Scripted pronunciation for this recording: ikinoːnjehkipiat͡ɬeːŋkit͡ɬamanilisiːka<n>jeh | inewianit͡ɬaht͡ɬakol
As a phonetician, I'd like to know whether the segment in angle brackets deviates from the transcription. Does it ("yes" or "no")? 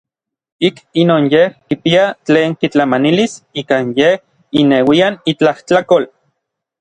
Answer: no